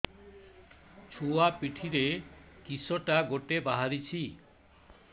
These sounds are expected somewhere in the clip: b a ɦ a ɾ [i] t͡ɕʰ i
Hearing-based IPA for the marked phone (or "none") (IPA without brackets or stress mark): i